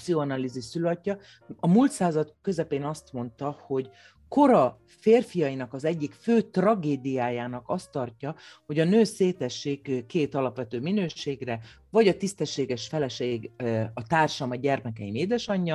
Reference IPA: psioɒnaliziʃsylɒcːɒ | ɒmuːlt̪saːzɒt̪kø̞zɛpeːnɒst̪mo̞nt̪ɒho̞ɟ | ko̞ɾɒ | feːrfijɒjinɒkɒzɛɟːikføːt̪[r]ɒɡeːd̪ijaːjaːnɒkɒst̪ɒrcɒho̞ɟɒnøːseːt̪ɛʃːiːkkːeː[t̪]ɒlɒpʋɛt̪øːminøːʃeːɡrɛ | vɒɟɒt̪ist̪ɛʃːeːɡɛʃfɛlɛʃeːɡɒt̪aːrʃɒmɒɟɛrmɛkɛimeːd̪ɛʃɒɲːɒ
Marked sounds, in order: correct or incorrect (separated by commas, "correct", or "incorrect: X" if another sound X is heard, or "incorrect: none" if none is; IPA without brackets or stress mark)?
correct, correct